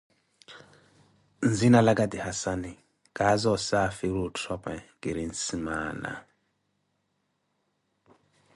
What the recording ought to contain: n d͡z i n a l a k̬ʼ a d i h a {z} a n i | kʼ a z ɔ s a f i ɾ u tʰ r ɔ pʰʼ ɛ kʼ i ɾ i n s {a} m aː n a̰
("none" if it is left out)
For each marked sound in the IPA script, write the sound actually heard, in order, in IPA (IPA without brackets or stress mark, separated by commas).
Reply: s, i